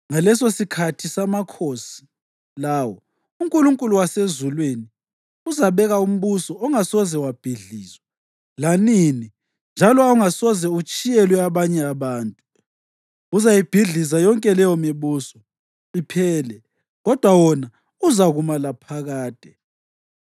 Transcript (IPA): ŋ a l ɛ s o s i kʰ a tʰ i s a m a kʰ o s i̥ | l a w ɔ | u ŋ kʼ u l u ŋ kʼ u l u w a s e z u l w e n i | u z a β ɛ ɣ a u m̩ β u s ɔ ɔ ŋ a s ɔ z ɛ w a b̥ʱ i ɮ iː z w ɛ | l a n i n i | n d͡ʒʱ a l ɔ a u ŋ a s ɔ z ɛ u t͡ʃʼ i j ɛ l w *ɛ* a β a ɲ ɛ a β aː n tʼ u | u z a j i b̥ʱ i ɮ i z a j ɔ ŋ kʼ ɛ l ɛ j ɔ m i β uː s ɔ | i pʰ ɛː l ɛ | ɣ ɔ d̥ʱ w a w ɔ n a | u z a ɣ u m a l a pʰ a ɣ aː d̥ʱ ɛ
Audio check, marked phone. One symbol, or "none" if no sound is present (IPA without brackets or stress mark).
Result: ɛ